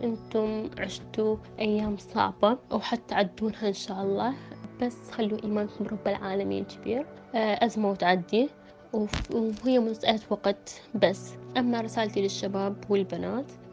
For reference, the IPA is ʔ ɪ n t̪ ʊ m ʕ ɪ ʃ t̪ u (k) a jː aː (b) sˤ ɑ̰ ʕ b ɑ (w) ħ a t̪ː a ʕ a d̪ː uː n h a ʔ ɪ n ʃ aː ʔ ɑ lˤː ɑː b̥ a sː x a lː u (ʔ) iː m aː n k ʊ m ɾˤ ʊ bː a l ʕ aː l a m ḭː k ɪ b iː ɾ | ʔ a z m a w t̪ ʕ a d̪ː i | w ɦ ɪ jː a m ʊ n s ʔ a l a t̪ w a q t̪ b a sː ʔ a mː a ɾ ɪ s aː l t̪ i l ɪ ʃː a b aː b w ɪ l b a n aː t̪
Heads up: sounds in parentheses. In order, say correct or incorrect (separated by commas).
incorrect, incorrect, correct, correct